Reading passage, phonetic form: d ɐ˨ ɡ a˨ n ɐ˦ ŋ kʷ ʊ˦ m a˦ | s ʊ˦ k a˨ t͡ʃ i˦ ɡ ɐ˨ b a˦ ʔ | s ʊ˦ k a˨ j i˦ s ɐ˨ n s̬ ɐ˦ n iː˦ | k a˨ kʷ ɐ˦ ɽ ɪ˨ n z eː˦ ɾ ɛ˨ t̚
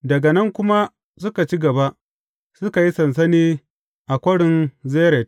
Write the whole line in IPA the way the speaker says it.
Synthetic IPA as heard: d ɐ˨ ɡ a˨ n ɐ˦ ŋ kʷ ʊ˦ m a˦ | s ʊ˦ k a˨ t͡ʃ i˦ ɡ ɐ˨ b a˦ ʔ | s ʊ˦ k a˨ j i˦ s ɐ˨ n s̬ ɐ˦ n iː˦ | ʔ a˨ kʷ ɐ˦ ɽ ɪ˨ n z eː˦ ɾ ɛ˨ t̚